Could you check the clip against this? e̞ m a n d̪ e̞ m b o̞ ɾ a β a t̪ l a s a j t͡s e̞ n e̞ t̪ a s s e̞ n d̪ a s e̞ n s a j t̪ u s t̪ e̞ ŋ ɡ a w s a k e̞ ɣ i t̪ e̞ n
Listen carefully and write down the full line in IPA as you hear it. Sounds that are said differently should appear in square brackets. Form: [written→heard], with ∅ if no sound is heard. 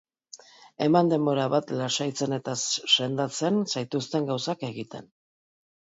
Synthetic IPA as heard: e̞ m a n d̪ e̞ m b o̞ ɾ a β a t̪ l a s a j t͡s e̞ n e̞ t̪ a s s e̞ n d̪ a [s→t͡s] e̞ n s a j t̪ u s t̪ e̞ ŋ ɡ a w s a k e̞ ɣ i t̪ e̞ n